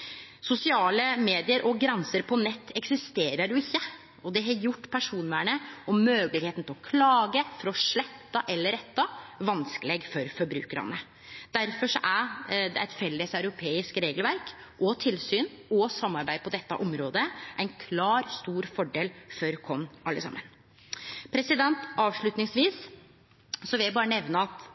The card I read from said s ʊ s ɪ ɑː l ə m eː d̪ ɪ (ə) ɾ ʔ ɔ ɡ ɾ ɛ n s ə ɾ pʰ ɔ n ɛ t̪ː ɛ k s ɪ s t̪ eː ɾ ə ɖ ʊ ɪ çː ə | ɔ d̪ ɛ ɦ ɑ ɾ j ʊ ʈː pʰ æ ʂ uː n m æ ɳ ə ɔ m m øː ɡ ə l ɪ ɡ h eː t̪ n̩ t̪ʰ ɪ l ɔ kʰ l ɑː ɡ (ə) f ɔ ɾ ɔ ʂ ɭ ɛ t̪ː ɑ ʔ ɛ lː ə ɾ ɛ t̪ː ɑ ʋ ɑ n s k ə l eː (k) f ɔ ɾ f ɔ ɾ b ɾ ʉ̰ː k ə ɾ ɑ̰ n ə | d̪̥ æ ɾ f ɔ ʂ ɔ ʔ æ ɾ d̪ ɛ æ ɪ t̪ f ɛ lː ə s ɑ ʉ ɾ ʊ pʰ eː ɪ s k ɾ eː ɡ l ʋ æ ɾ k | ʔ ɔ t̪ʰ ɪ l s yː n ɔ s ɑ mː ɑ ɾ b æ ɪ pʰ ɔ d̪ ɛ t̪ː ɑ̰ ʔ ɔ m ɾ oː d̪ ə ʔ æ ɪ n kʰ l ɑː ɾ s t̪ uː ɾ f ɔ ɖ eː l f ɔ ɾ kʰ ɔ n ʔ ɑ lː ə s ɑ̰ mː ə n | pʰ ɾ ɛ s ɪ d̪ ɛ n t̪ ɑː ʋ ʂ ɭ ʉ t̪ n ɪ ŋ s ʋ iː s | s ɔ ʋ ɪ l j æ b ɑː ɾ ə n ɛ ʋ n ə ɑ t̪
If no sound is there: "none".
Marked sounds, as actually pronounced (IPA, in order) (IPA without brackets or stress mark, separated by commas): ə, ə, ɡ